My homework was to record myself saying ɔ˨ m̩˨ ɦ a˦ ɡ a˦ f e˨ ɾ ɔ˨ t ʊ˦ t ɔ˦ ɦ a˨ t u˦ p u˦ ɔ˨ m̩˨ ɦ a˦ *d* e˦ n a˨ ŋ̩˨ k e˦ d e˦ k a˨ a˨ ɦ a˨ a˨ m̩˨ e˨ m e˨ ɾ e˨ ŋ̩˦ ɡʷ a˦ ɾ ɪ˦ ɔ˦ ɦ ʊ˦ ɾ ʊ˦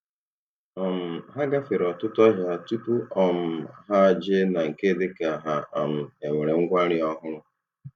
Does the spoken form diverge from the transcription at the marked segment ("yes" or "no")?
yes